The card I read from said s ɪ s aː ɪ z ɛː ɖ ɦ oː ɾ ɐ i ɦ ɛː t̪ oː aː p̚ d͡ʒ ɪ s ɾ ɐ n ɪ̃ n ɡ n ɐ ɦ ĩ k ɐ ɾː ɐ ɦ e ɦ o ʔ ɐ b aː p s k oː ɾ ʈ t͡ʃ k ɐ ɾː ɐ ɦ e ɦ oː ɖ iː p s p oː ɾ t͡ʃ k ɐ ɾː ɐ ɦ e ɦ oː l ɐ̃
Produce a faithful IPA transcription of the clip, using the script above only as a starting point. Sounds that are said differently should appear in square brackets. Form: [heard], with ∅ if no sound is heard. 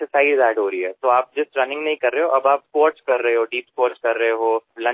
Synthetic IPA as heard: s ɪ s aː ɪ z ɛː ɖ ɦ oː ɾ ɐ i ɦ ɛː t̪ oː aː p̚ d͡ʒ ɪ s ɾ ɐ n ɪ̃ [ŋ] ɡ n ɐ ɦ ĩ k ɐ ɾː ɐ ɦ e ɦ o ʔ ɐ b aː p s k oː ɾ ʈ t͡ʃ k ɐ ɾː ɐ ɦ e ɦ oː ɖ iː p s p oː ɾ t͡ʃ k ɐ ɾː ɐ ɦ e ɦ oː l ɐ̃